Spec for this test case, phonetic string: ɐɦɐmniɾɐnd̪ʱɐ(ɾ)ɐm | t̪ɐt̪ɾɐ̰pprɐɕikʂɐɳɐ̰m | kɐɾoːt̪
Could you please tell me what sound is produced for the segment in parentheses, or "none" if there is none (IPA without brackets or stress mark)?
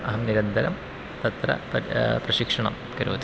ɾ